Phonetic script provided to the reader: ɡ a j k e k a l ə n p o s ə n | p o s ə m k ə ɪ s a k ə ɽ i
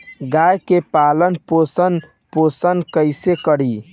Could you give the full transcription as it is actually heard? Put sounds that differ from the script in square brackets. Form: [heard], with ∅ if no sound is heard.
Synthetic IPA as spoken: ɡ a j k e [p] a l ə n p o s ə n | p o s ə [n] k ə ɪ s [e] k ə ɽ i

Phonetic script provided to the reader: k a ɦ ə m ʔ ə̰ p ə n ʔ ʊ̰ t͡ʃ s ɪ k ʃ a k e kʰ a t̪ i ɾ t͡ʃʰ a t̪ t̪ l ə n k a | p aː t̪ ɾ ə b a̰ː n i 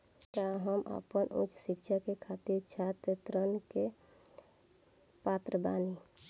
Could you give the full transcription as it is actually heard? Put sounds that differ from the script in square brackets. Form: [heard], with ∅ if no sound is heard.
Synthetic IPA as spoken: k a ɦ ə m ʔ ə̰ p ə n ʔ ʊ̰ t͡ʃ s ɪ k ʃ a k e kʰ a t̪ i ɾ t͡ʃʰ a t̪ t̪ [ɾ] ə n k [e] | p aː t̪ ɾ ə b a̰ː n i

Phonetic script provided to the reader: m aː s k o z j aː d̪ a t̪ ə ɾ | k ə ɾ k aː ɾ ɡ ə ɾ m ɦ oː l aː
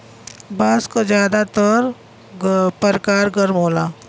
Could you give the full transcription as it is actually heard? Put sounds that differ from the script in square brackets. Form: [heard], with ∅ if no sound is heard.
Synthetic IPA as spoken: [b] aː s k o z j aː d̪ a t̪ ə ɾ | [p] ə ɾ k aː ɾ ɡ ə ɾ m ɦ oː l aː

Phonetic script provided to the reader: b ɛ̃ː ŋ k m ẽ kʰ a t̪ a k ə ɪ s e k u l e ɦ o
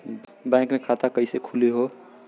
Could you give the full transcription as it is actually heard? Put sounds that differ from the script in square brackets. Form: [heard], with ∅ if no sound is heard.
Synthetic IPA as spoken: b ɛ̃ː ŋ k m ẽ kʰ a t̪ a k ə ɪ s e [kʰ] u l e ɦ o

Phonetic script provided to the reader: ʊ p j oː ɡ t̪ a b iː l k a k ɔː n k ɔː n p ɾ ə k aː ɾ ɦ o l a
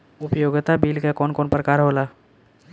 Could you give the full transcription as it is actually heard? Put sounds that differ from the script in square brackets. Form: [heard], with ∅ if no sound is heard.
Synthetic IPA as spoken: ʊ p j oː ɡ t̪ a b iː l k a k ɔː n k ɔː n p ɾ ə k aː ɾ ɦ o l a

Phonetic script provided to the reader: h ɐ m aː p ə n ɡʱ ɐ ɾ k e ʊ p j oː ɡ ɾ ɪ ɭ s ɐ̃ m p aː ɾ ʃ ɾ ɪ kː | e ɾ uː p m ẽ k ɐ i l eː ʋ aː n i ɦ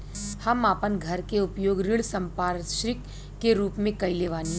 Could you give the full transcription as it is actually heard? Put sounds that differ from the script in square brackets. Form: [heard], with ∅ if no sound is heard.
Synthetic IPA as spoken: h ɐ m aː p ə n ɡʱ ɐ ɾ k e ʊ p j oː ɡ ɾ ɪ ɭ s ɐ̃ m p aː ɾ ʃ ɾ ɪ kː | e ɾ uː p m ẽ k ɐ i l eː ʋ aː n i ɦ

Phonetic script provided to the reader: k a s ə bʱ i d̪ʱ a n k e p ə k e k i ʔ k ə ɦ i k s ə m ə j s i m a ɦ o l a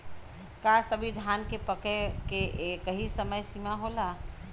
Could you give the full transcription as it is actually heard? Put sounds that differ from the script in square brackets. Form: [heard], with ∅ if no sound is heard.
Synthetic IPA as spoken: k a s ə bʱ i d̪ʱ a n k e p ə k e k [e] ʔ k ə ɦ i [∅] s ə m ə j s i m a ɦ o l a

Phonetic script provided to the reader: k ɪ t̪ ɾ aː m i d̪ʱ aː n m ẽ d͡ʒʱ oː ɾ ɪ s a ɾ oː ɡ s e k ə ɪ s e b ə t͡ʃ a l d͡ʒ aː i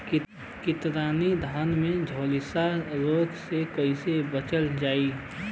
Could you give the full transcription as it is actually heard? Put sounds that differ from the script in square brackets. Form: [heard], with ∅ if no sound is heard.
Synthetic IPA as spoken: k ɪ t̪ ɾ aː [n] i d̪ʱ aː n m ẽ d͡ʒʱ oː [l] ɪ s a ɾ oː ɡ s e k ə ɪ s e b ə t͡ʃ [ə] l d͡ʒ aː i

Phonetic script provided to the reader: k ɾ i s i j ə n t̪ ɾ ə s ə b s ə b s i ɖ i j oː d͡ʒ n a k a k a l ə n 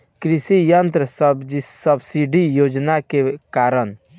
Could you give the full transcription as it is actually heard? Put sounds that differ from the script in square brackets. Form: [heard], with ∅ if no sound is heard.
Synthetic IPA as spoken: k ɾ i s i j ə n t̪ ɾ ə s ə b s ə b s i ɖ i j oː d͡ʒ n a k [e] k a [ɾ] ə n

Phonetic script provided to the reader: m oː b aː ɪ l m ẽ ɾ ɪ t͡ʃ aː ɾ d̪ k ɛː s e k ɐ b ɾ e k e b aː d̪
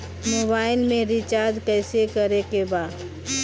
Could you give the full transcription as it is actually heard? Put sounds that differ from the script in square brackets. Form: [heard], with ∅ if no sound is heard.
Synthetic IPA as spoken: m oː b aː ɪ l m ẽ ɾ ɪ t͡ʃ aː ɾ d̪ k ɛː s e k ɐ [∅] ɾ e k e b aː d̪

